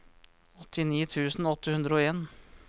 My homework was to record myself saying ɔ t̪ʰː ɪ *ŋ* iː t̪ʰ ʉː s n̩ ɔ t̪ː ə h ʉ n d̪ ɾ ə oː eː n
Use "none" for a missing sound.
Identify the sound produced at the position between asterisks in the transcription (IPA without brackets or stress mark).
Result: n